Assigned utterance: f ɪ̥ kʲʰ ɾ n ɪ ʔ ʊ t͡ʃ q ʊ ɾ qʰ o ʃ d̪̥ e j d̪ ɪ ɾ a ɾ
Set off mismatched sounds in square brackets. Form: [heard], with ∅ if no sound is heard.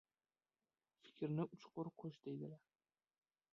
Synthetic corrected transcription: f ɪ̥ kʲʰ ɾ n ɪ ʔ ʊ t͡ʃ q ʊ ɾ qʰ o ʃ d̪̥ e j d̪ ɪ [l] a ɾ